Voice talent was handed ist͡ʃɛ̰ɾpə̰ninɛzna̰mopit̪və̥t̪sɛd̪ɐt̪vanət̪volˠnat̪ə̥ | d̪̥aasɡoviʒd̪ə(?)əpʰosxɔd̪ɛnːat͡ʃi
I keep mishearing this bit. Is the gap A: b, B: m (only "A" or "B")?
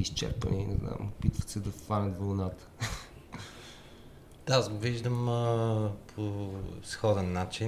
B